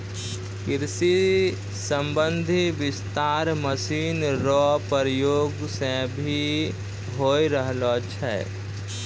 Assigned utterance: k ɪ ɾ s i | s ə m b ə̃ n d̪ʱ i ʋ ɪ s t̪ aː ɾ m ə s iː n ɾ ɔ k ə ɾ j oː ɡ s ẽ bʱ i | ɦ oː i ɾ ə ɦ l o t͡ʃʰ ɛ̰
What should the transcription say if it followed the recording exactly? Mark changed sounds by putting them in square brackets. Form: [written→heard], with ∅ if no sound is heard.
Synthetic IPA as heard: k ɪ ɾ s i | s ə m b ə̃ n d̪ʱ i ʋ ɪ s t̪ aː ɾ m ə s iː n ɾ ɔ [k→p] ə ɾ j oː ɡ s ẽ bʱ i | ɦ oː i ɾ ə ɦ l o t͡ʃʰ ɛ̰